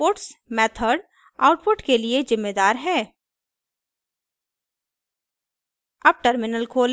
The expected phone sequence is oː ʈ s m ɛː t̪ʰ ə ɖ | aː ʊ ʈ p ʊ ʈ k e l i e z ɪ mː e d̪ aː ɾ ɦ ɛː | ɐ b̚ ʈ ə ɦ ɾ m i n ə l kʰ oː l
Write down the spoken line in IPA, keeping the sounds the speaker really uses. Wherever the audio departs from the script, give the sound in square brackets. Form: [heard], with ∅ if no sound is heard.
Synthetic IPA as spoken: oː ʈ s m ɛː t̪ʰ ə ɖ | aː ʊ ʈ p ʊ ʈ k e l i e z ɪ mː e d̪ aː ɾ ɦ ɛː | ɐ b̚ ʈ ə [∅] ɾ m [ɪ] n ə l kʰ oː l